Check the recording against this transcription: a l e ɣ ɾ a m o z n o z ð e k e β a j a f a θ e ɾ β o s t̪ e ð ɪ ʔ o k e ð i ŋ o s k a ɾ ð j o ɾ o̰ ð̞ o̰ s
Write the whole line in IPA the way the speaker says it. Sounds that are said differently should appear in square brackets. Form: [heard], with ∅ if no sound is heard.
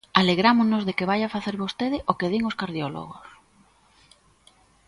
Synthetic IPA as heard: a l e ɣ ɾ a m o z n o z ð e k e β a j a f a θ e ɾ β o s t̪ e ð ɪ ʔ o k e ð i ŋ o s k a ɾ ð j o [l] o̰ [ɣ̞] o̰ s